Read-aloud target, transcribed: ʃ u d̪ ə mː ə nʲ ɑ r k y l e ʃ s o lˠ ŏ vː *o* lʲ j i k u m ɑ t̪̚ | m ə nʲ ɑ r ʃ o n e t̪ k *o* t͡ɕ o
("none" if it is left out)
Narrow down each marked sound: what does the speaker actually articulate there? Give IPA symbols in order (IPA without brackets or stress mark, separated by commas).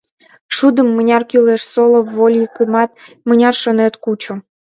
o, u